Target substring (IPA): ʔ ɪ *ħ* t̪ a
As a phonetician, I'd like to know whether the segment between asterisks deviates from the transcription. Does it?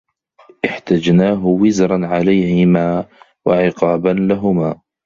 no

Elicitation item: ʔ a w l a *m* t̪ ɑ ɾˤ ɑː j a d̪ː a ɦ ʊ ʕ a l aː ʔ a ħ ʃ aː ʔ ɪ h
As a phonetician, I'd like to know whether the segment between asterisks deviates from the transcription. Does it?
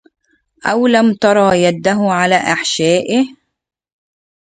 no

